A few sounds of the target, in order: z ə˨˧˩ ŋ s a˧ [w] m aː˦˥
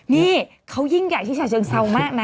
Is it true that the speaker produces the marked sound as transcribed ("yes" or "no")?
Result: yes